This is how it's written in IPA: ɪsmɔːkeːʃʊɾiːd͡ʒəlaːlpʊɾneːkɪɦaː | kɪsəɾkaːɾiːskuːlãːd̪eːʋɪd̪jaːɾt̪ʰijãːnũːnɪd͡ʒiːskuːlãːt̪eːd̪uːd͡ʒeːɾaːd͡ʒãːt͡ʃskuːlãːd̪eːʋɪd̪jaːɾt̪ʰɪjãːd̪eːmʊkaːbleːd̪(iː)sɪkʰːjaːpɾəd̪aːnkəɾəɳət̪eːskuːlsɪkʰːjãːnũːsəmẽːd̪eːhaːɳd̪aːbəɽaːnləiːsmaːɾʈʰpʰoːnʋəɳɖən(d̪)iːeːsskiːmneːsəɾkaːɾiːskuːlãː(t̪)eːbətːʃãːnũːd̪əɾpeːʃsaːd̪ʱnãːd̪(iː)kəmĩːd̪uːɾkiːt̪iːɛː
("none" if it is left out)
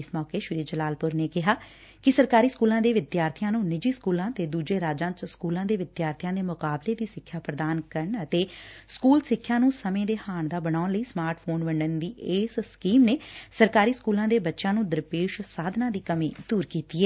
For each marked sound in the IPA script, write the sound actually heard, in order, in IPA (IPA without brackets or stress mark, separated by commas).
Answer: iː, d̪, d̪, iː